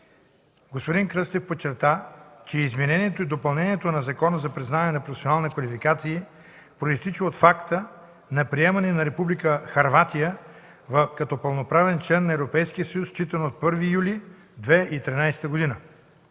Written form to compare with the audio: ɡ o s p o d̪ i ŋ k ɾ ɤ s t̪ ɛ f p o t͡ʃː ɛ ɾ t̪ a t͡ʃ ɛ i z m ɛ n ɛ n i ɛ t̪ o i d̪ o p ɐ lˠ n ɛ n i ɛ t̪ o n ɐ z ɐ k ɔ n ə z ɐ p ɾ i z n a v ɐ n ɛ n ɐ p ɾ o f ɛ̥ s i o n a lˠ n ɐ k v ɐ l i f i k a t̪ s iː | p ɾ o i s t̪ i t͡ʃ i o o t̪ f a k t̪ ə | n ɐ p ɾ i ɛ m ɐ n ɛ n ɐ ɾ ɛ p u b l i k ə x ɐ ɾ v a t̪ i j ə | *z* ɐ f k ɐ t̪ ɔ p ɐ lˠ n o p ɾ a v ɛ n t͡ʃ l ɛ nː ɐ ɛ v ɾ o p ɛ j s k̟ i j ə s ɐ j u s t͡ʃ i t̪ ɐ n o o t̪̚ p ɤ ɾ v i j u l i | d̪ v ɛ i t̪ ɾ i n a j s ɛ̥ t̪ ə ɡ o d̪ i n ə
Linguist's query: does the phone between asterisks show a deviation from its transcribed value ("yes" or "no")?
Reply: yes